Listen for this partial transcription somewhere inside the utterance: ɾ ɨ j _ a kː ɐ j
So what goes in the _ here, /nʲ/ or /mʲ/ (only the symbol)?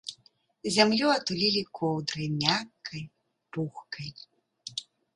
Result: mʲ